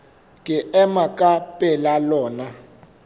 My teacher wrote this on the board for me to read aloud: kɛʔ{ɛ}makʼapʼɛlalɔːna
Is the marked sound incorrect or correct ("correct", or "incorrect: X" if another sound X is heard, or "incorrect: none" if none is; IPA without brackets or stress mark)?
correct